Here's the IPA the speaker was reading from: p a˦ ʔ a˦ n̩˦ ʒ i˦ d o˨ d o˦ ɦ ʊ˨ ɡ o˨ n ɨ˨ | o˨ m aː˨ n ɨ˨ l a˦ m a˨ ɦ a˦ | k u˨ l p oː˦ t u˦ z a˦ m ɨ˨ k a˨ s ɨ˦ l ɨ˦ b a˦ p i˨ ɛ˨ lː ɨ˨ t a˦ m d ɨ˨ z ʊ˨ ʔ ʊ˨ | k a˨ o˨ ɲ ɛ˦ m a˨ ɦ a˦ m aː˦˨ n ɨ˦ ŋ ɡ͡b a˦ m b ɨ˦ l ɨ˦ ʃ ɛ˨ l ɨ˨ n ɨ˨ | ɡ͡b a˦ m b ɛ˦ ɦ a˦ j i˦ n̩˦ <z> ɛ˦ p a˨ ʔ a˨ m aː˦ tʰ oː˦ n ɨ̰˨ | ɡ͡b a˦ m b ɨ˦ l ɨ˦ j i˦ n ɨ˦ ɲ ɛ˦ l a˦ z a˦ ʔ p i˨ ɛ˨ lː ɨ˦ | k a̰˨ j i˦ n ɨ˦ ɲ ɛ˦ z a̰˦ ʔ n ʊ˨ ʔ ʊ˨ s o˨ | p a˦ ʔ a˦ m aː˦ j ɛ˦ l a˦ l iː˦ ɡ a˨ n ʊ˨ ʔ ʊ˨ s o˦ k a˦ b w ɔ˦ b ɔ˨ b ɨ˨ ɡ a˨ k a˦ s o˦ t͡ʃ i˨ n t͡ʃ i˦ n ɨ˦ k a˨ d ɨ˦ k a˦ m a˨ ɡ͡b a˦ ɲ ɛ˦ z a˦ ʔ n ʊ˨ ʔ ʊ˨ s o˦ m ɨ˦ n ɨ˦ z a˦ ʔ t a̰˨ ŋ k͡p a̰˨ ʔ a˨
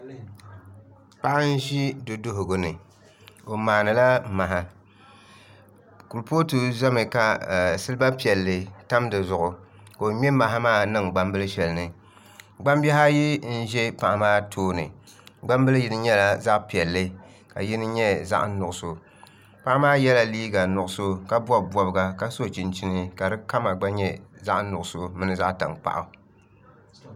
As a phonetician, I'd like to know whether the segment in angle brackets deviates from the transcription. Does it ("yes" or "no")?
yes